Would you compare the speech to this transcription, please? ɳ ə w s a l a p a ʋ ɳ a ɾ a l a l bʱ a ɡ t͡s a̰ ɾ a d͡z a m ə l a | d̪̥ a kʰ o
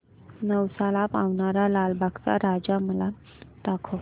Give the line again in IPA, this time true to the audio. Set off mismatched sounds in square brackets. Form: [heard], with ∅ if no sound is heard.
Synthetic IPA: [n] ə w s a l a p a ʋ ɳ a ɾ a l a l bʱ a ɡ t͡s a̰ ɾ a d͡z a m ə l a | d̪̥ a kʰ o